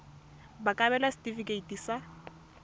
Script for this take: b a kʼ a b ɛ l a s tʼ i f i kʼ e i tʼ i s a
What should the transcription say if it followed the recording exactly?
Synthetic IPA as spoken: b a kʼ a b ɛ l a s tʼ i f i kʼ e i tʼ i s a